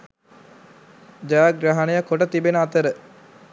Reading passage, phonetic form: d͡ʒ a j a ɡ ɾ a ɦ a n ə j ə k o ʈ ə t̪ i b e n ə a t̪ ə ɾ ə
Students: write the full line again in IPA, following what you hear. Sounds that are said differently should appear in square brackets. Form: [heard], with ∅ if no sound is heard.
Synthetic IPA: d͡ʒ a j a ɡ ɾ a ɦ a n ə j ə k o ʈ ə t̪ i b e n ə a t̪ ə ɾ ə